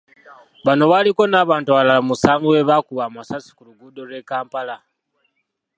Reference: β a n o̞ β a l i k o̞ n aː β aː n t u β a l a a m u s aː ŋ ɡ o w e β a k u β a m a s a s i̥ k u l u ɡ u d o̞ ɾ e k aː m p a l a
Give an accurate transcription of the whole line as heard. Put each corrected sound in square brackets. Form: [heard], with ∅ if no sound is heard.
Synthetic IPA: β a n o̞ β a l i k o̞ n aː β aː n t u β a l a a m u s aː ŋ ɡ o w e β a k u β a m a s a s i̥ k u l u ɡ u d o̞ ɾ e k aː m p a l a